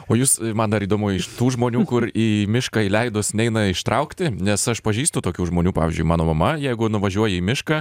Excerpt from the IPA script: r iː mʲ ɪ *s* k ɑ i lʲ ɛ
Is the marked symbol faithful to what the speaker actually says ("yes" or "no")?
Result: no